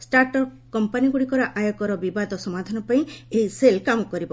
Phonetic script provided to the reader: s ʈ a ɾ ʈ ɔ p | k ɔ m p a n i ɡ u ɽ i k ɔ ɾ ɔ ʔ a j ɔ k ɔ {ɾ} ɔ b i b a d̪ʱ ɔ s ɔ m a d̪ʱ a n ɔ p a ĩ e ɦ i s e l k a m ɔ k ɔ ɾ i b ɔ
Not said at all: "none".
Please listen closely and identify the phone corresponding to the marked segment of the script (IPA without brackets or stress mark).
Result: ɾ